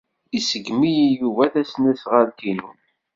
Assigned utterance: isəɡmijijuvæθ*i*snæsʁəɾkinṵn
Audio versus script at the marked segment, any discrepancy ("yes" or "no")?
yes